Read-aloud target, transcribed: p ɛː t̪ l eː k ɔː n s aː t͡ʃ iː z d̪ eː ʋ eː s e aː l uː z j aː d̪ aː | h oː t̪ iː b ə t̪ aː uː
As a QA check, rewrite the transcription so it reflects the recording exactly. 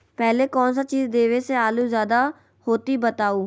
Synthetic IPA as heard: p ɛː l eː k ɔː n s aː t͡ʃ iː z d̪ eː ʋ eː s e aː l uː z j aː d̪ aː | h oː t̪ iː b ə t̪ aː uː